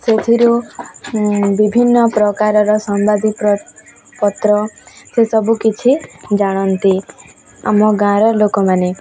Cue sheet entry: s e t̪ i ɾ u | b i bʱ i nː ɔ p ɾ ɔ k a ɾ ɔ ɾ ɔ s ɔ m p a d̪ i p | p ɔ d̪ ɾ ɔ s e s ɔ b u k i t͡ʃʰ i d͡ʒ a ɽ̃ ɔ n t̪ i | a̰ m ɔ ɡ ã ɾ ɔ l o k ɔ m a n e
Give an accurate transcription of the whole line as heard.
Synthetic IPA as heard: s e t̪ʰ i ɾ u | b i bʱ i nː ɔ p ɾ ɔ k a ɾ ɔ ɾ ɔ s ɔ m b a d̪ i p | p ɔ t̪ ɾ ɔ s e s ɔ b u k i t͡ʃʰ i d͡ʒ a ɽ̃ ɔ n t̪ i | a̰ m ɔ ɡ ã ɾ ɔ l o k ɔ m a n e